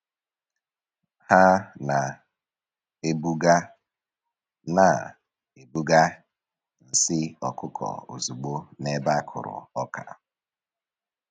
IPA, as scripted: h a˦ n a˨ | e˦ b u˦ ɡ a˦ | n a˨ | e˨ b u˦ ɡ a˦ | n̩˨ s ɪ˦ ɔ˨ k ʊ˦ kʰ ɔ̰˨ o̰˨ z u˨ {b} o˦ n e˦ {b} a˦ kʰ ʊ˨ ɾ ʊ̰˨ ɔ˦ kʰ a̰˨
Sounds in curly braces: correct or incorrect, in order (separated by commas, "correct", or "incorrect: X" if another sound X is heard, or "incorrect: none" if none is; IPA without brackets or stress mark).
incorrect: ɡ͡b, correct